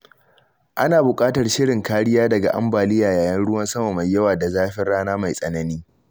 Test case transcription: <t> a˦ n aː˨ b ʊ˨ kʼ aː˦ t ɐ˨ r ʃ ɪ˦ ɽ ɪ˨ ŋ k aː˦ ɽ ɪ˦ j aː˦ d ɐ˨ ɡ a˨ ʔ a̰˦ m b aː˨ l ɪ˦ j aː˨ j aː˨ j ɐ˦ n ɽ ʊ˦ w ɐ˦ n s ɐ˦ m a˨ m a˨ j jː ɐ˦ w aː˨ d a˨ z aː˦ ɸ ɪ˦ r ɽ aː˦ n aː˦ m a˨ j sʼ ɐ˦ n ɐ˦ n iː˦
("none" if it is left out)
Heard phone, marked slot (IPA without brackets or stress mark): ʔ